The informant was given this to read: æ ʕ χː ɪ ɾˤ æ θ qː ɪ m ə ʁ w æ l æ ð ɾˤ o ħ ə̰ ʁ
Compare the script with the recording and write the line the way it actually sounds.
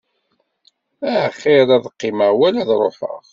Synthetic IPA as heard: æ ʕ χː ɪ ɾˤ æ ð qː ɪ m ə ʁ w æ l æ ð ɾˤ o ħ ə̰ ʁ

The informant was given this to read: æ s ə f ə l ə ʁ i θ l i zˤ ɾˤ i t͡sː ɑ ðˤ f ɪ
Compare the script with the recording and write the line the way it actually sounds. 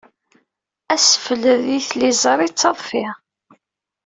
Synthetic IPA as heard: æ s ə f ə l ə ð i θ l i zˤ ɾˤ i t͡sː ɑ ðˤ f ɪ

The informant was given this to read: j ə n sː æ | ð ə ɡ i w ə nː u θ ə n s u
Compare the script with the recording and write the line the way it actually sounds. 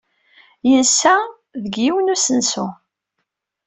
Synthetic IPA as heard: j ə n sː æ | ð ə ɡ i w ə n u s ə n s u

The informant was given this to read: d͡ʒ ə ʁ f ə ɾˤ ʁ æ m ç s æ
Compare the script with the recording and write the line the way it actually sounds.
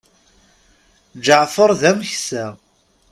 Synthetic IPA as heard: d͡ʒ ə ʕ f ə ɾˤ ð æ m ç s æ

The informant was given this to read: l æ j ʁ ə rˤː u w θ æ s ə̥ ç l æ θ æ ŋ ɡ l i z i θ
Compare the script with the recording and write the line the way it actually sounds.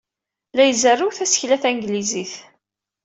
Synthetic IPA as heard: l æ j z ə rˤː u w θ æ s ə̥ ç l æ θ æ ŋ ɡ l i z i θ

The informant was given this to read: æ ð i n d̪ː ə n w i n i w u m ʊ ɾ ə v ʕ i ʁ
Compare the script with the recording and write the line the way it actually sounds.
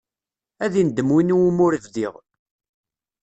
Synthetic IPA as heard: æ ð i n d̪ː ə m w i n i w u m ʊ ɾ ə v ð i ʁ

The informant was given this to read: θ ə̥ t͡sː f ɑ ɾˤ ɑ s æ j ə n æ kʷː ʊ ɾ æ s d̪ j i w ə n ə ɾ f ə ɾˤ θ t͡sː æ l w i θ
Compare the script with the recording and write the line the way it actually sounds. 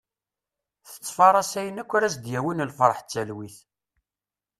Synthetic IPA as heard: θ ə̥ t͡sː f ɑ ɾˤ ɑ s æ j ə n æ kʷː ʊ ɾ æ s d̪ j æ w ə n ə l f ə ɾˤ ħ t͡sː æ l w i θ

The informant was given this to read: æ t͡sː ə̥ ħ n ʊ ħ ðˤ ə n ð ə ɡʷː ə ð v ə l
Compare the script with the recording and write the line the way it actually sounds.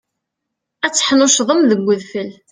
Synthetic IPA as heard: æ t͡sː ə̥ ħ n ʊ ʃ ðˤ ə m ð ə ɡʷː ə ð f ə l

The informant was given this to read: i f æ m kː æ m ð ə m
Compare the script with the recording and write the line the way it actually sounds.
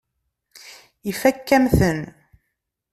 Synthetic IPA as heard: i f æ kː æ m θ ə n

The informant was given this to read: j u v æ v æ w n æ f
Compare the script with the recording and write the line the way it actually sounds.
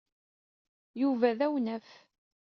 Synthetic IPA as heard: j u v æ ð æ w n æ f

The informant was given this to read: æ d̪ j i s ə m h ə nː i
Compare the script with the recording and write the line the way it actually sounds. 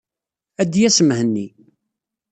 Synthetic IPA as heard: æ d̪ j æ s ə m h ə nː i

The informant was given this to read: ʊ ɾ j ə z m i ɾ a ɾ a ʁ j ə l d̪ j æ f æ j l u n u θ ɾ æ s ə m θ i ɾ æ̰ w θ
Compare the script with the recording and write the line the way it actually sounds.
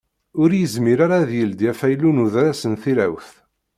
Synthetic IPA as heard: ʊ ɾ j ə z m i ɾ a ɾ a ð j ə l d̪ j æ f æ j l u n u ð ɾ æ s ə n θ i ɾ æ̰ w θ

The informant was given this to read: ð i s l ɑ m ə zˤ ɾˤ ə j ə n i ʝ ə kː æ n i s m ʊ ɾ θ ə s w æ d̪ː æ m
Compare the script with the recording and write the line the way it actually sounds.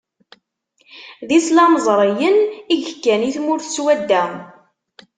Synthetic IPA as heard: ð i s l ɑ m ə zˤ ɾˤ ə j ə n i ʝ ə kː æ n i θ m ʊ ɾ θ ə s w æ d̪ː æ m

